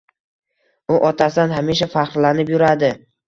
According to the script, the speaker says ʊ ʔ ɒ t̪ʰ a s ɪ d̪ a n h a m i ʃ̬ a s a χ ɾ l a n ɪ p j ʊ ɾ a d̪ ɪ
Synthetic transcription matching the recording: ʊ ʔ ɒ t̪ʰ a s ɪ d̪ a n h a m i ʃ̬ a f a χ ɾ l a n ɪ p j ʊ ɾ a d̪ ɪ